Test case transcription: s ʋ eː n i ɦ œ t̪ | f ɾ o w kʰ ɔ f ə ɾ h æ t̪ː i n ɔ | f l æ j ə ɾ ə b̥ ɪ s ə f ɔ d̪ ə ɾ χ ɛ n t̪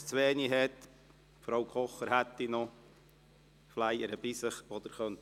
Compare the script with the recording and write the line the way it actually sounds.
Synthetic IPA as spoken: t͡s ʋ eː n i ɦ ɛ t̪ | f ɾ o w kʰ ɔ χ ə ɾ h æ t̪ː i n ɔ | f l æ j ə ɾ ə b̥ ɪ s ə χ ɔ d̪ ə ɾ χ œ n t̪